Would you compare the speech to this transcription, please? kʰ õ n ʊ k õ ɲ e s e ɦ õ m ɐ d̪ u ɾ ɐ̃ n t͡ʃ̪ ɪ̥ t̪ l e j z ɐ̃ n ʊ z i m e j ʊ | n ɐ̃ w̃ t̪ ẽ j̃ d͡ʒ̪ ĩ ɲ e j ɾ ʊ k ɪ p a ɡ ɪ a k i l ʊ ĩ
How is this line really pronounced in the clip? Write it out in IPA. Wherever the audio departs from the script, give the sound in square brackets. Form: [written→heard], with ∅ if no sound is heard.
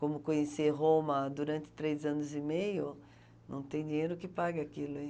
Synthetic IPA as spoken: [kʰ→k] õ [n→m] ʊ k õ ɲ e s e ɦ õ m ɐ d̪ u ɾ ɐ̃ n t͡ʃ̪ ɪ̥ t̪ [l→ɾ] e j z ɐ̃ n ʊ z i m e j ʊ | n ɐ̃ w̃ t̪ ẽ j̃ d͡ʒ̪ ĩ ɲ e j ɾ ʊ k ɪ p a ɡ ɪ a k i l ʊ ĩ